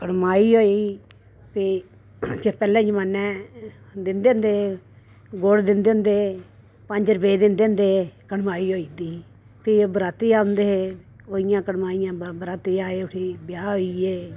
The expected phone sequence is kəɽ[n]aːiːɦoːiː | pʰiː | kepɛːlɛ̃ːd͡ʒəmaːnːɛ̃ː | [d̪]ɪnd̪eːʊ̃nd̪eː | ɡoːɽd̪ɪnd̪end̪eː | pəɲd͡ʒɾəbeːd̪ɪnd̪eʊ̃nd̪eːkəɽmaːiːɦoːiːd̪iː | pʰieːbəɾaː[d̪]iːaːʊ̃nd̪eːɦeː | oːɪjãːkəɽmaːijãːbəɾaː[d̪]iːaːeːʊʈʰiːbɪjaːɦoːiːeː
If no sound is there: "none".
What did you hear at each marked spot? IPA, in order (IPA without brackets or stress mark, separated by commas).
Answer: m, d̪, t̪, t̪